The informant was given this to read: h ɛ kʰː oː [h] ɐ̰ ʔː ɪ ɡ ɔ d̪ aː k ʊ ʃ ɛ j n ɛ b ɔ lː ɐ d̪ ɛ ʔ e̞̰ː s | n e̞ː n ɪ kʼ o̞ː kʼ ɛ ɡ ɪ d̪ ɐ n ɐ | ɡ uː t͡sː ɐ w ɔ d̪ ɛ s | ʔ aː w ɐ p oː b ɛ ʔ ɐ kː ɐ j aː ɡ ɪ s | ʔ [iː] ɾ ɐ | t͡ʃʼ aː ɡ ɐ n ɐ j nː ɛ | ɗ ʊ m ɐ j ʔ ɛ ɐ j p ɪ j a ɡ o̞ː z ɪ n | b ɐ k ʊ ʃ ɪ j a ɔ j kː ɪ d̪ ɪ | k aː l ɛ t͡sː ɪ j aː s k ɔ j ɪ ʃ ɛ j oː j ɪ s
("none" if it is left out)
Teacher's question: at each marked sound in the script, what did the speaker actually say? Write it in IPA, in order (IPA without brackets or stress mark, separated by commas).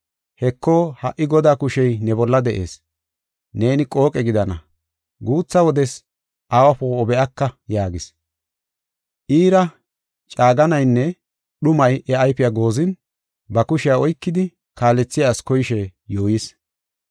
h, iː